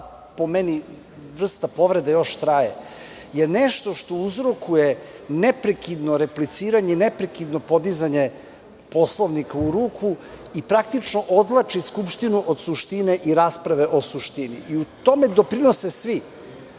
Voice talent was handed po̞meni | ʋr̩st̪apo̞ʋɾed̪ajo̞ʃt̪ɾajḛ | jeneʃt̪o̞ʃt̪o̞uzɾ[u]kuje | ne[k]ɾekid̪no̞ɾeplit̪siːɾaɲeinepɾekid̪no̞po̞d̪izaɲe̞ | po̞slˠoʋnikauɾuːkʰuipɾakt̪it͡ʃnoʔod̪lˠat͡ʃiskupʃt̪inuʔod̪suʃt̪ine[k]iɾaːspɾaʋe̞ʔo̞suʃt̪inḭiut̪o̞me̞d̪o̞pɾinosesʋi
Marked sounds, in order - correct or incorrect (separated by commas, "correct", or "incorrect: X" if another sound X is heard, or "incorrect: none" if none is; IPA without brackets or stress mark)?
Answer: incorrect: o, incorrect: p, incorrect: ʔ